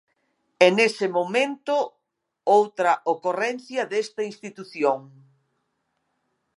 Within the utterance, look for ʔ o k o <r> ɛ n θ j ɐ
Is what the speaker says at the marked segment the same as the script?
yes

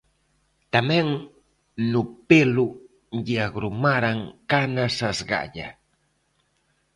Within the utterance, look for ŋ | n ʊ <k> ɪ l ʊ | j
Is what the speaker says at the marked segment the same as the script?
no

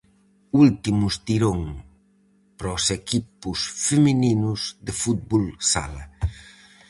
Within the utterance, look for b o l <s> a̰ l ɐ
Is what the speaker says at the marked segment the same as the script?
yes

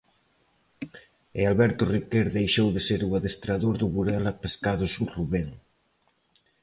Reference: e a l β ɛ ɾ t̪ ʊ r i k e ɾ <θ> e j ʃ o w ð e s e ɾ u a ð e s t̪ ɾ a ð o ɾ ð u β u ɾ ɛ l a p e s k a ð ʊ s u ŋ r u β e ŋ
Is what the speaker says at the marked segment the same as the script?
no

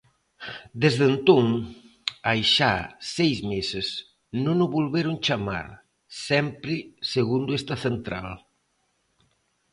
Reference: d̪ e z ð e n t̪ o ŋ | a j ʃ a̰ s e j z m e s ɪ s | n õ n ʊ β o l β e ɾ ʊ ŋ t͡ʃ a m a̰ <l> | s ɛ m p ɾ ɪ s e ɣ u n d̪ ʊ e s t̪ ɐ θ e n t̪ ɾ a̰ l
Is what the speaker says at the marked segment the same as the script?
no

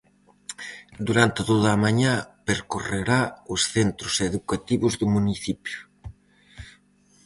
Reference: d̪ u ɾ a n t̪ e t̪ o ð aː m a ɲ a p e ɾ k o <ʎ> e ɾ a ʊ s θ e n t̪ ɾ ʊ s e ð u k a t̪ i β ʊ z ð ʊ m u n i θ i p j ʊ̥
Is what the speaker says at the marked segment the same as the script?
no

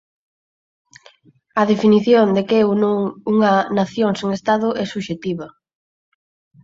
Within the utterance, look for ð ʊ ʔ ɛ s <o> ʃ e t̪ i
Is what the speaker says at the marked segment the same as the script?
no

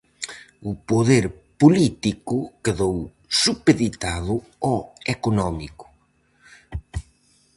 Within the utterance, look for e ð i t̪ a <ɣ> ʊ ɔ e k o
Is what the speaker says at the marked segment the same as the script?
no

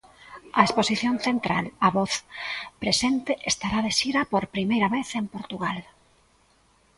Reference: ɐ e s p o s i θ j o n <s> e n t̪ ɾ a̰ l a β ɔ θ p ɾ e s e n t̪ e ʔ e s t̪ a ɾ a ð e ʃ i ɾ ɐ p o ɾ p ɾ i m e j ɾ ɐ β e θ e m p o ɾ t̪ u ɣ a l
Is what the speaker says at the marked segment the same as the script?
no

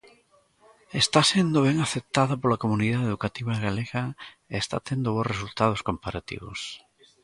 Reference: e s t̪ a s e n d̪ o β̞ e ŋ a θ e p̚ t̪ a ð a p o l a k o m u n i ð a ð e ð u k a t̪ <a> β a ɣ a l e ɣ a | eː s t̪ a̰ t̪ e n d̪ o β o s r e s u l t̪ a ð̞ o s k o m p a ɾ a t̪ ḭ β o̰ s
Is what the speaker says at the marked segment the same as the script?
no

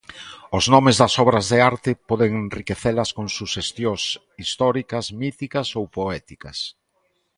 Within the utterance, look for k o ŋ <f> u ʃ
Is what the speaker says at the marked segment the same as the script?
no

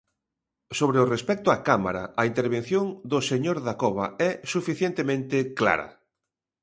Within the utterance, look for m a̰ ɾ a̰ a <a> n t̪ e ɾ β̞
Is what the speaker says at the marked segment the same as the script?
no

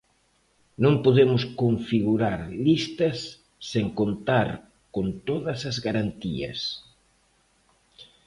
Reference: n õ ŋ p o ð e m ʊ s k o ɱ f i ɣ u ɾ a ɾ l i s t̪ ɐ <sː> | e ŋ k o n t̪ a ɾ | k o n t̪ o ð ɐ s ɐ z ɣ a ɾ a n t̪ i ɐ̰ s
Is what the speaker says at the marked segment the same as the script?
yes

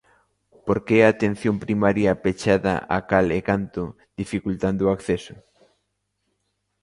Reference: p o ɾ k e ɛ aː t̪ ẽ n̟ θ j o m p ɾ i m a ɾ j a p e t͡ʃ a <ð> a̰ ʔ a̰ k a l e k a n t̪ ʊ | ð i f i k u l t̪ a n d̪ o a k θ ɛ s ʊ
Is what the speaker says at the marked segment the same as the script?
yes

